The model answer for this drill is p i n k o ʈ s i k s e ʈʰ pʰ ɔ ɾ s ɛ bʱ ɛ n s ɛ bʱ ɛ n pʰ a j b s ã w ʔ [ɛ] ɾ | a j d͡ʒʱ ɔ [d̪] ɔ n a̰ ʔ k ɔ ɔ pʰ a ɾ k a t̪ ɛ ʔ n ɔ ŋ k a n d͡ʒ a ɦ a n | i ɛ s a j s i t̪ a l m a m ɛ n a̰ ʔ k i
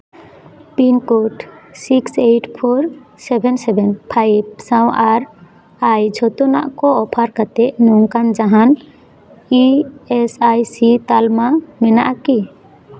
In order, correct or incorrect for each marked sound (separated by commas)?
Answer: incorrect, incorrect